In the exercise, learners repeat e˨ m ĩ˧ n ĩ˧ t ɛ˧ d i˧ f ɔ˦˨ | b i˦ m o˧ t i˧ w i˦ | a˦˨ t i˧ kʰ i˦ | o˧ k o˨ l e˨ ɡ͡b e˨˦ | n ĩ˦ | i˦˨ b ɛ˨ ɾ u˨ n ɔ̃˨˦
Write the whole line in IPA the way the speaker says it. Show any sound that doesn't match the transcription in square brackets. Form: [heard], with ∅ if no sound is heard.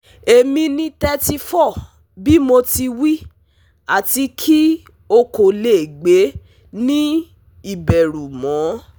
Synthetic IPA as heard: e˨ m ĩ˧ n ĩ˧ t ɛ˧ [t] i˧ f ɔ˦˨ | b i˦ m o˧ t i˧ w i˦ | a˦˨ t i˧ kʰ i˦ | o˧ k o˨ l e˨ ɡ͡b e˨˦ | n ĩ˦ | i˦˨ b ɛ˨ ɾ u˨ [m] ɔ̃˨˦